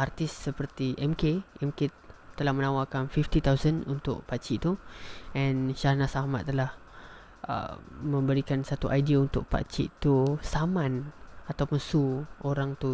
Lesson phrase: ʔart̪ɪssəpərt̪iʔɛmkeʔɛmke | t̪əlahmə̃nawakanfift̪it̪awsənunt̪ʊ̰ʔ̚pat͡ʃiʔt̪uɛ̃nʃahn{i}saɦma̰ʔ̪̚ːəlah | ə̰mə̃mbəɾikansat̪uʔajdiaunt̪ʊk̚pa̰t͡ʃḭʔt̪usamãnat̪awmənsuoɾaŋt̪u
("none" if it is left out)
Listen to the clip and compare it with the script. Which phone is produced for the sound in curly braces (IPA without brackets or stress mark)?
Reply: a